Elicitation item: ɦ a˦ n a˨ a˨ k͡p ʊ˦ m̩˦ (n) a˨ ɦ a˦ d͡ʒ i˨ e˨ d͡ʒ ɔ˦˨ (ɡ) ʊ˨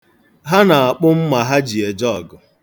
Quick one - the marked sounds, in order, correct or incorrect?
incorrect: m, correct

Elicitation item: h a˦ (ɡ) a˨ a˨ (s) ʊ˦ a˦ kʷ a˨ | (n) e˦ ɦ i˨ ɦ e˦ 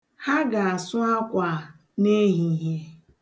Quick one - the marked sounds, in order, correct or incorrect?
correct, correct, correct

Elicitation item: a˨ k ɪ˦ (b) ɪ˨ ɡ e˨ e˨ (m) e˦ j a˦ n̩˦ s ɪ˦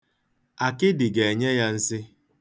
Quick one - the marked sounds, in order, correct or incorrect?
incorrect: d, incorrect: ɲ

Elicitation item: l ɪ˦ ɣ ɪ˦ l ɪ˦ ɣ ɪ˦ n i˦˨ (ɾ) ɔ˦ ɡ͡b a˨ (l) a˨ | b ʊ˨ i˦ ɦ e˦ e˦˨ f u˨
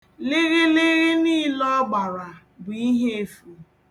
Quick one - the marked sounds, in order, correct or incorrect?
incorrect: l, incorrect: ɾ

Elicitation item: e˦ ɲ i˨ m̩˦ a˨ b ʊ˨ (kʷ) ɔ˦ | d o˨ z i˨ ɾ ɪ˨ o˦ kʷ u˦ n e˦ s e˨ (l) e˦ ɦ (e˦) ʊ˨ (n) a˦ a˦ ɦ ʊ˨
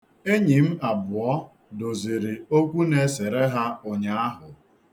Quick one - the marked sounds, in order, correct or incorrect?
incorrect: none, incorrect: ɾ, incorrect: a˦, incorrect: ɲ

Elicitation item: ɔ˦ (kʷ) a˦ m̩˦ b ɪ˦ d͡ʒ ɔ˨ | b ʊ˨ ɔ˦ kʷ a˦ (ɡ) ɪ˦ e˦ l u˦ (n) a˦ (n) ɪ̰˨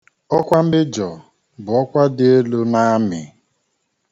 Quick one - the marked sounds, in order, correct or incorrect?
correct, incorrect: d, correct, incorrect: m

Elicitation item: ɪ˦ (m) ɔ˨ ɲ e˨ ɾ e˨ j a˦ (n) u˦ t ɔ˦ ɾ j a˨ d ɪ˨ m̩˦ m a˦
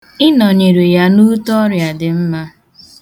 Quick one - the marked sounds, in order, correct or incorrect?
incorrect: n, correct

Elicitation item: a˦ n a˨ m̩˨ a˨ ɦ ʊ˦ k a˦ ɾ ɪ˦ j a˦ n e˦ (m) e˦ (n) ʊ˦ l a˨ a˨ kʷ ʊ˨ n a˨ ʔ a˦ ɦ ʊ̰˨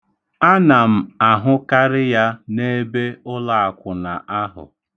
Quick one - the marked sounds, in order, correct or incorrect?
incorrect: b, incorrect: none

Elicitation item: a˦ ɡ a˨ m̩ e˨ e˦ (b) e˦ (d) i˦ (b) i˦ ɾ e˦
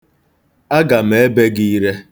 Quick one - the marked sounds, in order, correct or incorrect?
correct, incorrect: ɡ, incorrect: none

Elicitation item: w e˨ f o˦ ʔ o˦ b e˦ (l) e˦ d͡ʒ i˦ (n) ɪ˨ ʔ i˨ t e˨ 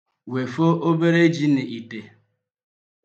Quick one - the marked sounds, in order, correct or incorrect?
incorrect: ɾ, correct

